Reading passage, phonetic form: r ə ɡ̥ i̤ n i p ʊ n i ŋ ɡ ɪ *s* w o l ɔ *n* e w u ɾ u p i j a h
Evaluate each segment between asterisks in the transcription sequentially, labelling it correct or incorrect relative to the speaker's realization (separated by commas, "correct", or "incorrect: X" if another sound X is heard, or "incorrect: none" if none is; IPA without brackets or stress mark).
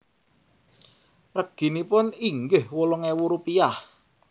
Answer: incorrect: h, incorrect: ŋ